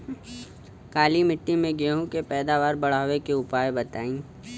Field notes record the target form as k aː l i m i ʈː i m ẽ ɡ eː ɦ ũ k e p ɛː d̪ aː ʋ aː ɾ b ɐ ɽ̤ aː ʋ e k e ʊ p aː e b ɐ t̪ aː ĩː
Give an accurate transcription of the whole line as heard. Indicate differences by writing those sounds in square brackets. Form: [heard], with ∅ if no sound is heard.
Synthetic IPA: k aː l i m [ɪ] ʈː i m ẽ ɡ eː ɦ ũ k e p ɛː d̪ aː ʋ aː ɾ b ɐ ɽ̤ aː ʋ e k e ʊ p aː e b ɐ t̪ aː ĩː